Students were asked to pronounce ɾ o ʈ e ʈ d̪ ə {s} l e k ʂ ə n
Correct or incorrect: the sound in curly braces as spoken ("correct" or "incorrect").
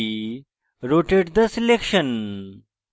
correct